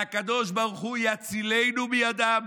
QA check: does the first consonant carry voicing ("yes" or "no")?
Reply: no